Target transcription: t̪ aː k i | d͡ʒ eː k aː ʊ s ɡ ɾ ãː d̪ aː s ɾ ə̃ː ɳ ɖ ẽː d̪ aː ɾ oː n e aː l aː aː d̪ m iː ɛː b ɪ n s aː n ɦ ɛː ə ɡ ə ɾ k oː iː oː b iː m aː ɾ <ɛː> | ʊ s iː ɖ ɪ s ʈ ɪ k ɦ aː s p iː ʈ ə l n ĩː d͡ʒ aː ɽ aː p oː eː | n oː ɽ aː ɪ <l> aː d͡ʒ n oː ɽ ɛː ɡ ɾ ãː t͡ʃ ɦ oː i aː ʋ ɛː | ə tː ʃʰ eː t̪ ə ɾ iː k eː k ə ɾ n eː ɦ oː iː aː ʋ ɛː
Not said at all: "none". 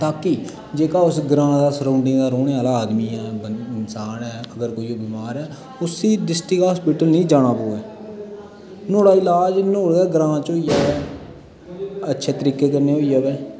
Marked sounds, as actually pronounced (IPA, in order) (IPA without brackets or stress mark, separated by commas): ɛː, l